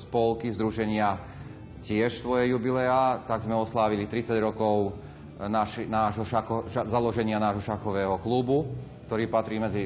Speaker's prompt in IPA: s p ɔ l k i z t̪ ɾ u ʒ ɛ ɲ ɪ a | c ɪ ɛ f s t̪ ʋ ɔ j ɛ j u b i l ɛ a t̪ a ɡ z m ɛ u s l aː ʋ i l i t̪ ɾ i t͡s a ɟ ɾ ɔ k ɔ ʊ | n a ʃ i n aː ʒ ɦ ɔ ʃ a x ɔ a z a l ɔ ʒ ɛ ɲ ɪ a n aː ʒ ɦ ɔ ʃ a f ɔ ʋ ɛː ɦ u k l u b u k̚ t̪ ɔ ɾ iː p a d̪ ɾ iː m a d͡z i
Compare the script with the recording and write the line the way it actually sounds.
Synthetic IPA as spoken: s p ɔ l k i z d̪ ɾ u ʒ ɛ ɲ ɪ a | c ɪ ɛ ʃ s t̪ ʋ ɔ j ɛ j u b i l ɛ a t̪ a ɡ z m ɛ ɔ s l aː ʋ i l i t̪ ɾ i t͡s a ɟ ɾ ɔ k ɔ ʊ | n a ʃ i n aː ʒ ɦ ɔ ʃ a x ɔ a z a l ɔ ʒ ɛ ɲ ɪ a n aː ʒ ɦ ɔ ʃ a x ɔ ʋ ɛː ɦ ɔ k l u b u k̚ t̪ ɔ ɾ iː p a t̪ ɾ iː m ɛ d͡z i